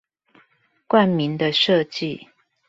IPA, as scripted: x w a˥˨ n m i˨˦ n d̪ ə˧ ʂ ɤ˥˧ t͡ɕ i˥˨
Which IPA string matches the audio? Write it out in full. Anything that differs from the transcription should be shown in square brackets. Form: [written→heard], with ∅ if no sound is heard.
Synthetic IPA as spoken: [x→k] w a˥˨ n m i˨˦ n d̪ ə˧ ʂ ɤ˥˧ t͡ɕ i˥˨